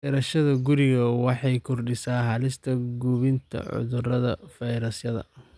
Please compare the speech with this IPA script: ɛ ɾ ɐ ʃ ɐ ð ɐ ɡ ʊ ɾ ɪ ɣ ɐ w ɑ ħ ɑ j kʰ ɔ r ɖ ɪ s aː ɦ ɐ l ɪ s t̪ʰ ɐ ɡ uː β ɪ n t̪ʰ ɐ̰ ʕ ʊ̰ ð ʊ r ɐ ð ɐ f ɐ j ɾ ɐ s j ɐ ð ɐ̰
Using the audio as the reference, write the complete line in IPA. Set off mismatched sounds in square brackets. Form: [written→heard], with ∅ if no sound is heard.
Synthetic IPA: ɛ ɾ ɐ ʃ ɐ ð ɐ ɡ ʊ ɾ ɪ ɣ ɐ w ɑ ħ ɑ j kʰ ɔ r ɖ ɪ s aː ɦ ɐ l ɪ s t̪ʰ ɐ ɡ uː β ɪ n t̪ʰ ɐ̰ ʕ ʊ̰ ð ʊ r ɐ ð ɐ f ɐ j ɾ ɐ s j ɐ ð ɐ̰